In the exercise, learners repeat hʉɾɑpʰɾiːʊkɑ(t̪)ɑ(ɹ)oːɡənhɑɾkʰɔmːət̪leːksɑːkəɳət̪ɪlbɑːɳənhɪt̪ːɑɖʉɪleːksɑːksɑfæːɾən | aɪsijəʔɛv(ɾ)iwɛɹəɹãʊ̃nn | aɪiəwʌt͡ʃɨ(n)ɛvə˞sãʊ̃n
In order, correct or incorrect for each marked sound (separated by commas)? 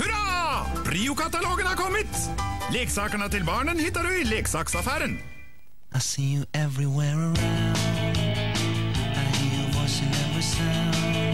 correct, incorrect, incorrect, correct